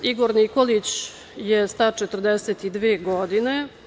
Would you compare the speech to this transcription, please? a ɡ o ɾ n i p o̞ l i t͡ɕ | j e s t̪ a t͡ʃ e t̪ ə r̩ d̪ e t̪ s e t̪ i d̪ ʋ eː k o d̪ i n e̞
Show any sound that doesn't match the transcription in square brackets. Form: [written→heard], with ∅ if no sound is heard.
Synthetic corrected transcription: [a→i] ɡ o ɾ n i [p→k] o̞ l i t͡ɕ | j e s t̪ a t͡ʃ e t̪ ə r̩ d̪ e [t̪→∅] s e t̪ i d̪ ʋ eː [k→ɡ] o d̪ i n e̞